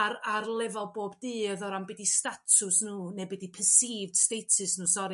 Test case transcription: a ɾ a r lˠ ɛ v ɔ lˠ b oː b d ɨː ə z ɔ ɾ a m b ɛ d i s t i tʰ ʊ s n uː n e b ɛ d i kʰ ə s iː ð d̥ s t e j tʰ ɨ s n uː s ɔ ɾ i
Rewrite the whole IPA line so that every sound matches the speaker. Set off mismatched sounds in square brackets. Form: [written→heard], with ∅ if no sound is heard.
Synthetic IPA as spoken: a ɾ a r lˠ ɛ v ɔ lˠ b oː b d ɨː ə [z→ð] ɔ ɾ a m b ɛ d i s t [i→a] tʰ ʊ s n uː n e b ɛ d i [kʰ→pʰ] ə s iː [ð→v] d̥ s t e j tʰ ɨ s n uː s ɔ ɾ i